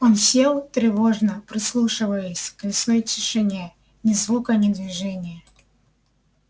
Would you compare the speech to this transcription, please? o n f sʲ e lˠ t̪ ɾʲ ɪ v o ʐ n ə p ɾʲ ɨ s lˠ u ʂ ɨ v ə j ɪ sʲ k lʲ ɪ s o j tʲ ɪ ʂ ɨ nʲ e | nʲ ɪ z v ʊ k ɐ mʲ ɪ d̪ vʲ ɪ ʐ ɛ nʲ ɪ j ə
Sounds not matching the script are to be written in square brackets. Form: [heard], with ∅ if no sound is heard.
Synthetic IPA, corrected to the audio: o n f sʲ e lˠ t̪ ɾʲ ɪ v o ʐ n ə p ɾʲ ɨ s lˠ u ʂ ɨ v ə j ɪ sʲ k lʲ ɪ s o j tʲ ɪ ʂ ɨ nʲ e | nʲ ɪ z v [u] k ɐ [nʲ] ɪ d̪ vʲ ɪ ʐ ɛ nʲ ɪ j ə